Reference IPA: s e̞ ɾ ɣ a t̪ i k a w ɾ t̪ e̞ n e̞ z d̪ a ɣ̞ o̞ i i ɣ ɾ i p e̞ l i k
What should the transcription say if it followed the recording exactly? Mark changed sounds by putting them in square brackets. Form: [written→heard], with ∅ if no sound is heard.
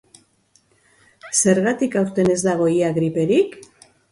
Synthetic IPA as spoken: s e̞ ɾ ɣ a t̪ i k a w ɾ t̪ e̞ n e̞ z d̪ a ɣ̞ o̞ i [i→a] ɣ ɾ i p e̞ [l→ɾ] i k

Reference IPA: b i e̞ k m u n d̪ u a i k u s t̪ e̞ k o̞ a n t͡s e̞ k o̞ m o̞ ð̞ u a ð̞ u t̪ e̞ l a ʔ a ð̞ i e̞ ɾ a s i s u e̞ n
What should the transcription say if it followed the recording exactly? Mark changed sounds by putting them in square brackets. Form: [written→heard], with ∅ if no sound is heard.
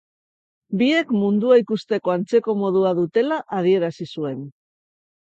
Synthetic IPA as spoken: b i e̞ k m u n d̪ u a i k u s t̪ e̞ k o̞ a n t͡s e̞ k o̞ m o̞ ð̞ u a ð̞ u t̪ e̞ l a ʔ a ð̞ i e̞ ɾ a s i s u e̞ n

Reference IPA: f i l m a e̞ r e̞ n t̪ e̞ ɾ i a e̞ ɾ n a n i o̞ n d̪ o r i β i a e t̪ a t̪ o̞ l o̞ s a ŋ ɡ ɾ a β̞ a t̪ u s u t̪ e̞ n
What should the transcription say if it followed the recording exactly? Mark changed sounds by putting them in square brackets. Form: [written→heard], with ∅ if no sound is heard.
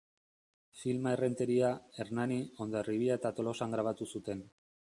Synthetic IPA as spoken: f i l m a e̞ r e̞ n t̪ e̞ ɾ i a e̞ ɾ n a n i o̞ n d̪ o r i β i a e t̪ a t̪ o̞ l o̞ s a ŋ ɡ ɾ a β̞ a t̪ u s u t̪ e̞ n

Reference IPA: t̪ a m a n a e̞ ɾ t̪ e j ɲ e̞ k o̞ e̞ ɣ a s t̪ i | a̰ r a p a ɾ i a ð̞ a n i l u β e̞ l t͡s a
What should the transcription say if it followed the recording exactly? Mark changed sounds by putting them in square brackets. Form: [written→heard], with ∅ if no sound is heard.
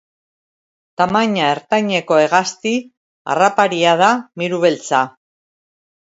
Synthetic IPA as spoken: t̪ a m a [n→ɲ] a e̞ ɾ t̪ [e→a] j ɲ e̞ k o̞ e̞ ɣ a s t̪ i | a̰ r a p a ɾ i a ð̞ a [n→m] i [l→ɾ] u β e̞ l t͡s a

